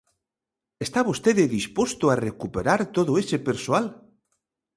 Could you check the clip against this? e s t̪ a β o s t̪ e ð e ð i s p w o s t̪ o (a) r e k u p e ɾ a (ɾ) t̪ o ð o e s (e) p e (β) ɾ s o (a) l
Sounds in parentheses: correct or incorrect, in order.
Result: correct, correct, correct, incorrect: none, correct

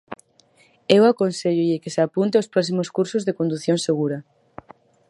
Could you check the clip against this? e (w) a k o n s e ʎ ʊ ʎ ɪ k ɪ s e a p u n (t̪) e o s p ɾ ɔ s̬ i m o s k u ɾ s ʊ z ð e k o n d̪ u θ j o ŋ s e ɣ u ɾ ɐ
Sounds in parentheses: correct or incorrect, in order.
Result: correct, correct

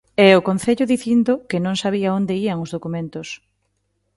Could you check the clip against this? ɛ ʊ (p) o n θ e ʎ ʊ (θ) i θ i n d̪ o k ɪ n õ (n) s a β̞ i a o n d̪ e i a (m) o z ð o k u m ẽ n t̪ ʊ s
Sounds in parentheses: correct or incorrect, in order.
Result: incorrect: k, incorrect: ð, incorrect: ŋ, incorrect: ŋ

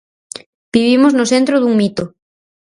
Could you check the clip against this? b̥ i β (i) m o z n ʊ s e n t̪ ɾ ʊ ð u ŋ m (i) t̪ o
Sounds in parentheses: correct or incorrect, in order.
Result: correct, correct

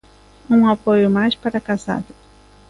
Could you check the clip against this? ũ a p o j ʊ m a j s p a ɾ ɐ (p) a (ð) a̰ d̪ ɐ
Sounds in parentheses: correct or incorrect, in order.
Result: incorrect: k, incorrect: z

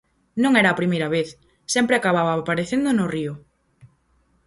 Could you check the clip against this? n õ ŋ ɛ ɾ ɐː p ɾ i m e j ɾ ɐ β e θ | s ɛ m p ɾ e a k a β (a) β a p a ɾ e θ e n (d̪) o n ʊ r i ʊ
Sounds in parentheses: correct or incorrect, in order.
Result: correct, correct

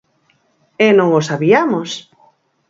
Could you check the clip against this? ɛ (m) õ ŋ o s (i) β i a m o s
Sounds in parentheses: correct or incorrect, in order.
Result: incorrect: n, incorrect: a

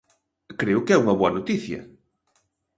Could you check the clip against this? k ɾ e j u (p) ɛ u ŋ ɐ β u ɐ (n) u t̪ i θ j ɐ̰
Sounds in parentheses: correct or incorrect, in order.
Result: incorrect: k, correct

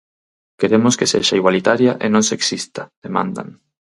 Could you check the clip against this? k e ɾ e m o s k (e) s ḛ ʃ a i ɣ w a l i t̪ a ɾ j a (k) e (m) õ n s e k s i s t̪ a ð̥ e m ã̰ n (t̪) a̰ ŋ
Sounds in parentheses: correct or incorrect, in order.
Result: correct, incorrect: ʔ, incorrect: n, incorrect: d̪

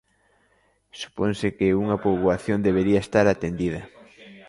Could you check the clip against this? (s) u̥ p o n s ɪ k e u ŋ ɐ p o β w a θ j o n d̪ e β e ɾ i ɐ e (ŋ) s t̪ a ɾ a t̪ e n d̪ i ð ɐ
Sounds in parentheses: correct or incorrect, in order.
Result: correct, incorrect: none

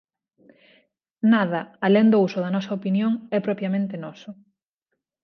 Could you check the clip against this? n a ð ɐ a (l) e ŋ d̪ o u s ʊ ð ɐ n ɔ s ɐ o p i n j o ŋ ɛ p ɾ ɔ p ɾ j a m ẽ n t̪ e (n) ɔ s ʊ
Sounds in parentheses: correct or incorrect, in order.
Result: correct, correct

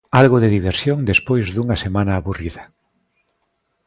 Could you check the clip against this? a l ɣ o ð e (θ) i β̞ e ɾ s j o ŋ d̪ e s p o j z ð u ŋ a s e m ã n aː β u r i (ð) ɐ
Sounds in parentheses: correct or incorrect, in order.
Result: incorrect: ð, correct

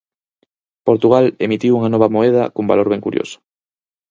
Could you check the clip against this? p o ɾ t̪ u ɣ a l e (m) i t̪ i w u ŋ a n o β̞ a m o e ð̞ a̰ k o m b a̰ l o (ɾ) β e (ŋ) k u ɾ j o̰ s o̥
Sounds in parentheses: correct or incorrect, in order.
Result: correct, correct, correct

